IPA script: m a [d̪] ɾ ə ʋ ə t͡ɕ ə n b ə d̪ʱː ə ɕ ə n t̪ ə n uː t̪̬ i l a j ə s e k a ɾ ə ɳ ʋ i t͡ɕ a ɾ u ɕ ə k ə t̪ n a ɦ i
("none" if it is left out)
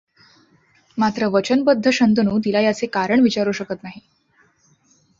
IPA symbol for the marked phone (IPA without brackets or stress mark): t̪